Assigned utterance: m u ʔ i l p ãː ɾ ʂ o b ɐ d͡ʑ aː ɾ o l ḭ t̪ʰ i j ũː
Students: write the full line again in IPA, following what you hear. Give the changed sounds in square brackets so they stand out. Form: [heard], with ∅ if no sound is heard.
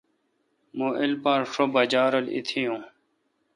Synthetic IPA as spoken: m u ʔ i l p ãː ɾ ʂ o b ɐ d͡ʑ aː ɾ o l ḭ t̪ʰ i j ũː